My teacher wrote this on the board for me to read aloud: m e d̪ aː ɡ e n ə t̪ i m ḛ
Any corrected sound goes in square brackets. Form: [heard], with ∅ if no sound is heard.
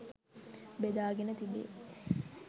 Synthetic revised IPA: [b] e d̪ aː ɡ e n ə t̪ i [b] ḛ